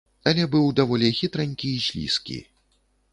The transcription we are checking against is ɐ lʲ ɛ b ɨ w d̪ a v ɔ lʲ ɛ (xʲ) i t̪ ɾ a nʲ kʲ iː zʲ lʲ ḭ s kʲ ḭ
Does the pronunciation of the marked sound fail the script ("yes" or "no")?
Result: no